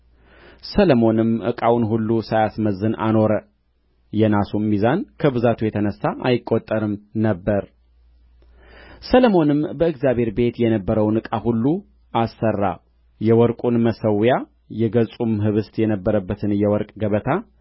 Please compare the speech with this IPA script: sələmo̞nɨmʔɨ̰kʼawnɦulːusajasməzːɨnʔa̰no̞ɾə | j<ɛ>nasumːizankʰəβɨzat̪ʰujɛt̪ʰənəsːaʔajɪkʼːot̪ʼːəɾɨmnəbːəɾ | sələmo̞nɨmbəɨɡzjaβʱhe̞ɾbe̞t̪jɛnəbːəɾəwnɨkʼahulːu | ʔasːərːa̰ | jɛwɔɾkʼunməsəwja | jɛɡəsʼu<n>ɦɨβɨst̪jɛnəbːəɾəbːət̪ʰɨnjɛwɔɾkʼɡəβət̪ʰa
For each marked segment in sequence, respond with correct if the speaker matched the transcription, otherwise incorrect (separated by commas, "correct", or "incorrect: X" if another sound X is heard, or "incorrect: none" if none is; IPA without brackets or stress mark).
correct, incorrect: m